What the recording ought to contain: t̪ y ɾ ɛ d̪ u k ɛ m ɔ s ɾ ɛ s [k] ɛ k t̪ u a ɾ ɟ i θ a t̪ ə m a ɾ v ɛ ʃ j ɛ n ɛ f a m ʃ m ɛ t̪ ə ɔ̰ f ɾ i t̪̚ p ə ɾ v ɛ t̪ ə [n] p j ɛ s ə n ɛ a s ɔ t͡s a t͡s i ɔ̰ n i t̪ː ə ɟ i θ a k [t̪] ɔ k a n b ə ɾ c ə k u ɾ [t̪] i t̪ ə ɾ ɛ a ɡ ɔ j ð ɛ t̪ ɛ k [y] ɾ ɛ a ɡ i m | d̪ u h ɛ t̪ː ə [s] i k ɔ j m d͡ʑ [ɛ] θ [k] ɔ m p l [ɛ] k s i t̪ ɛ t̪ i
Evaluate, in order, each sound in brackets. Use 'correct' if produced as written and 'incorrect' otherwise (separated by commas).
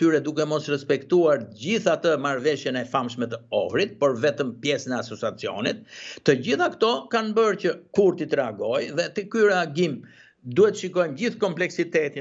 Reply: incorrect, incorrect, correct, correct, correct, incorrect, incorrect, correct, correct